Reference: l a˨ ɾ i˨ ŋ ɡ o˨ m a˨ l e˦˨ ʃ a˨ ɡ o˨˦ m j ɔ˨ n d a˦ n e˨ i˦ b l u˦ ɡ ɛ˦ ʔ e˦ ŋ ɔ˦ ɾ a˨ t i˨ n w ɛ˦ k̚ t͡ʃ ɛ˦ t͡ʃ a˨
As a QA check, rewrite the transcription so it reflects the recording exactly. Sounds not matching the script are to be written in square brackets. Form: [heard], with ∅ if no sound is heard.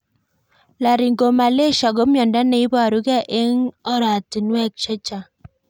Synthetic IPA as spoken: l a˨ ɾ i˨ ŋ ɡ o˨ m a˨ l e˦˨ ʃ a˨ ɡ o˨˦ m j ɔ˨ n d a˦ n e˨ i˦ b [ɾ] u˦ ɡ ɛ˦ ʔ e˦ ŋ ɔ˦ ɾ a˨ t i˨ n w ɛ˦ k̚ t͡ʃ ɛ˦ t͡ʃ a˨